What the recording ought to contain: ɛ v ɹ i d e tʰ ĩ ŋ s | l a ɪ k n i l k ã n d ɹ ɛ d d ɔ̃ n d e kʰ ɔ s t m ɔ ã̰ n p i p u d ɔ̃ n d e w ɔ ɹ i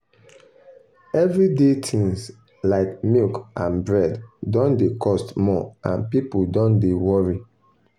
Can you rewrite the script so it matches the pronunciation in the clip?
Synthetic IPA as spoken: ɛ v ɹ i d e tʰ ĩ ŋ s | l a ɪ k m i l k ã n b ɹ ɛ d d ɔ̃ n d e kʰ ɔ s t m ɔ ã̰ n p i p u d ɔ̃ n d e w ɔ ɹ i